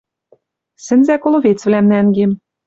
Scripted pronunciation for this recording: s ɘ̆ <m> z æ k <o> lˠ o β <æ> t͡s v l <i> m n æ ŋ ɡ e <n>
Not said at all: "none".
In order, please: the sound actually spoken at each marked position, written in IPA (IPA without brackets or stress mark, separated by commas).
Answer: n, o, e, æ, m